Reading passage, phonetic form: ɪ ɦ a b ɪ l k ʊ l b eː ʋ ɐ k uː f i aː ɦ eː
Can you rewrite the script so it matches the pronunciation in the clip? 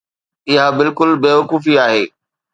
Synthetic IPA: ɪ ɦ a b ɪ l k ʊ l b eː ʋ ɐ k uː f i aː ɦ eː